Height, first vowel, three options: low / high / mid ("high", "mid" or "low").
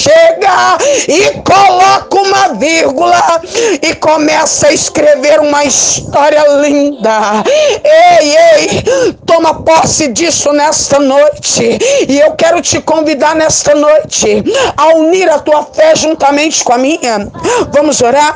mid